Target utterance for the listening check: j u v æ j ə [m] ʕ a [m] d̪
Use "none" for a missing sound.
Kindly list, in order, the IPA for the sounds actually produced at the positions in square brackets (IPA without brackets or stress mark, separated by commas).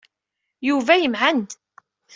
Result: m, n